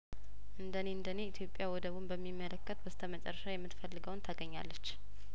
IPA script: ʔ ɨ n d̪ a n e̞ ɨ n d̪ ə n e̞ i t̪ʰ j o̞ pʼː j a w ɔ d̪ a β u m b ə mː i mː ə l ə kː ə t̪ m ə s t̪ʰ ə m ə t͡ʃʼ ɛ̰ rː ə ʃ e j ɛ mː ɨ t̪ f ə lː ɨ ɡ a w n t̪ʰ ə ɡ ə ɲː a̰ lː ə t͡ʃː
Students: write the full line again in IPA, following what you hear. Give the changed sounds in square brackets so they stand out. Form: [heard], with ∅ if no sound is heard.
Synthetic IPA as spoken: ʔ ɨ n d̪ [ə] n e̞ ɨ n d̪ ə n e̞ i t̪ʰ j o̞ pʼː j a w ɔ d̪ [ə] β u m b ə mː i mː ə l ə kː ə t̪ [b] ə s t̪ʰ ə m ə t͡ʃʼ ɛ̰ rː ə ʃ [a] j ɛ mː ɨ t̪ f ə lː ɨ ɡ [ə] w n t̪ʰ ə ɡ ə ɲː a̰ lː ə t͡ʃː